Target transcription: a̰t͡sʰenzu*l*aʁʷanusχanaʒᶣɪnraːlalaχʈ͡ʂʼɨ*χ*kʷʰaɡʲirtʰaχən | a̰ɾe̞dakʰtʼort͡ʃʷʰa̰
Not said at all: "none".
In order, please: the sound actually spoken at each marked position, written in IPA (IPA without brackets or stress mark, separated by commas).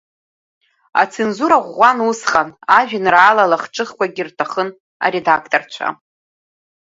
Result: ɾ, χ